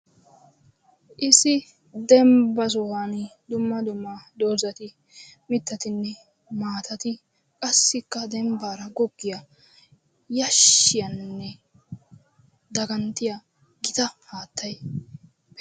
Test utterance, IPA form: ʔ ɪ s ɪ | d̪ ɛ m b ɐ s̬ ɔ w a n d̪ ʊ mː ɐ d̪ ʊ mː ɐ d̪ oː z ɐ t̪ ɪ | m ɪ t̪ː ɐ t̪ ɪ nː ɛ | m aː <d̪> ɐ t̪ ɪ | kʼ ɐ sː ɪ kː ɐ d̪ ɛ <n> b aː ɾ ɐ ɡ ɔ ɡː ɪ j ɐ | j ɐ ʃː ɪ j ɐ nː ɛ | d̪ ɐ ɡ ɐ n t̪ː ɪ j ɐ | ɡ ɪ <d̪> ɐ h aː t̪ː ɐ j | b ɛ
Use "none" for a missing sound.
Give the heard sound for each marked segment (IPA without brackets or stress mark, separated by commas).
t̪, m, t̪